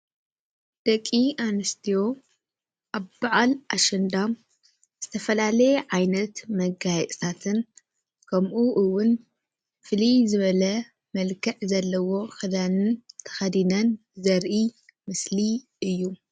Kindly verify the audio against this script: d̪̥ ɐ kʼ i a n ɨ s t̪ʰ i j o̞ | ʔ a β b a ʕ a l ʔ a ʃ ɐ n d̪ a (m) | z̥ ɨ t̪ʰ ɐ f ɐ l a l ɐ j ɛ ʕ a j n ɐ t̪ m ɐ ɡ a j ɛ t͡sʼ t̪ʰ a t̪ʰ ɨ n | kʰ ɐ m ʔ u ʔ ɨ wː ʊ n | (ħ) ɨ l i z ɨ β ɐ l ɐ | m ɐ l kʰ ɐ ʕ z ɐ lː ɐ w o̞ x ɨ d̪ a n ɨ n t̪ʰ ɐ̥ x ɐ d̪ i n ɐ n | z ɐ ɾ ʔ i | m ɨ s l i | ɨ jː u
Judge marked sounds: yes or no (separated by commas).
yes, no